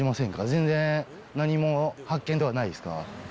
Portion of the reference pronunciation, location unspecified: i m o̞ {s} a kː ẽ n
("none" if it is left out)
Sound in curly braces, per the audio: h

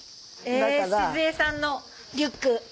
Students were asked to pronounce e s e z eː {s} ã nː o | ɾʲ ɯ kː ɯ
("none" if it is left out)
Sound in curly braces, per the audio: s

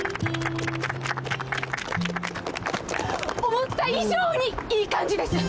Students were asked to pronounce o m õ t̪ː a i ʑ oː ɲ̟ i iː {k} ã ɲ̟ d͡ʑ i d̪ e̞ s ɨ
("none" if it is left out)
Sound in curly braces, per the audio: k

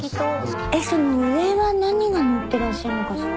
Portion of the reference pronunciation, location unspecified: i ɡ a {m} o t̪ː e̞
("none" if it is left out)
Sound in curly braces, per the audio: n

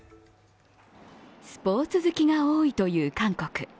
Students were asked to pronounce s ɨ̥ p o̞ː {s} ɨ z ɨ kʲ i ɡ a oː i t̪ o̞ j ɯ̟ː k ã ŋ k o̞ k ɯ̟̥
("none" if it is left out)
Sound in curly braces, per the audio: t͡s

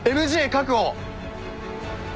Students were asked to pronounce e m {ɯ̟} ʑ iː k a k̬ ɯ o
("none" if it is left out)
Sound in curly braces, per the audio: ɯ̟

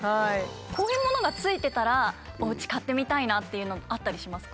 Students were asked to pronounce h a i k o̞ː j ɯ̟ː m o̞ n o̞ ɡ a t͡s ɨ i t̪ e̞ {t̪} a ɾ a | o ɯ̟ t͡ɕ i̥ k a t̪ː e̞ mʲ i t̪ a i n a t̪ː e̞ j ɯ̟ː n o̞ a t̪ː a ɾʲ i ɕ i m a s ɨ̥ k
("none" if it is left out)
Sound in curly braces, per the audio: t̪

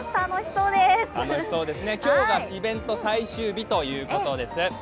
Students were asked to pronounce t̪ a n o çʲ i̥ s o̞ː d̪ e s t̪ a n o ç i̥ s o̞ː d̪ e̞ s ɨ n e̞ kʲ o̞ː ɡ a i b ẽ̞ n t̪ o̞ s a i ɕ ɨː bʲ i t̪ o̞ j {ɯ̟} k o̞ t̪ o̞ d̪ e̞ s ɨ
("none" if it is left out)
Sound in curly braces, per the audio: ɯ̟ː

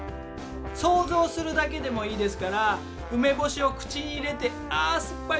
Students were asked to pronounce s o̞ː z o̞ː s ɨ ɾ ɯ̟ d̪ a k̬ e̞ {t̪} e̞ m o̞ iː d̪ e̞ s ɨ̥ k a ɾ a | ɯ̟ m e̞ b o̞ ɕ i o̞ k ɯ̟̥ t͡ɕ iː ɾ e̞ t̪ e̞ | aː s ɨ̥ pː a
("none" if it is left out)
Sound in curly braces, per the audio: d̪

